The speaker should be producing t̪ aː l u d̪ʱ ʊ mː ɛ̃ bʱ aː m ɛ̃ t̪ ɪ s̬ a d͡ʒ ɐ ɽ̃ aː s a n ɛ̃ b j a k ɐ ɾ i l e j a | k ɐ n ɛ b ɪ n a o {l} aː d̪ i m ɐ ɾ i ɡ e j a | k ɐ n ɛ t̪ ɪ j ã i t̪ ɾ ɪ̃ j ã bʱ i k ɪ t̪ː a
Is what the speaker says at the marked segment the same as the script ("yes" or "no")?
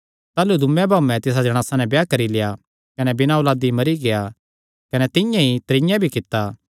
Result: yes